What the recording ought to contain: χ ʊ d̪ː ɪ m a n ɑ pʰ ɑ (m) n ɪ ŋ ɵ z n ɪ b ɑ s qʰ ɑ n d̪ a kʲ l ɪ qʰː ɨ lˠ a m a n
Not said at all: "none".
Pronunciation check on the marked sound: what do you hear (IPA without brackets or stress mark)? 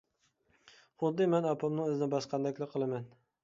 m